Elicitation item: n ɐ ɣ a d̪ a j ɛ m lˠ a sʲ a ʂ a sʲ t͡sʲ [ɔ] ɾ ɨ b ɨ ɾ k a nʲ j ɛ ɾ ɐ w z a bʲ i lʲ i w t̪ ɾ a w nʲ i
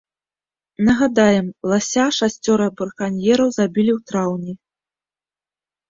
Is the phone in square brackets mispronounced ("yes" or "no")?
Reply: no